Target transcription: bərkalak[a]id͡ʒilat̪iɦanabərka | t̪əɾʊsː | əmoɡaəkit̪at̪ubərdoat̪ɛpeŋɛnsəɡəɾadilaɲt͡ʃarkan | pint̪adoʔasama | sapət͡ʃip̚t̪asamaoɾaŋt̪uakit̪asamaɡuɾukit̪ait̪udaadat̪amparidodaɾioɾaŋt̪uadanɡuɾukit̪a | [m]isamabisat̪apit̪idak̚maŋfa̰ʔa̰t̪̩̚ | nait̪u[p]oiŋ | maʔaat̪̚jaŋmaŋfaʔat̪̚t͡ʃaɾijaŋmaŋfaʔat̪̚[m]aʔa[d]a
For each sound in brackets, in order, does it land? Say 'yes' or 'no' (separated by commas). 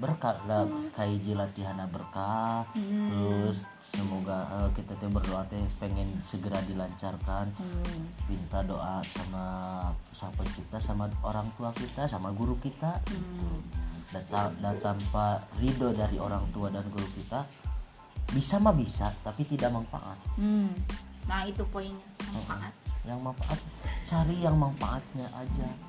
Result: yes, no, yes, no, no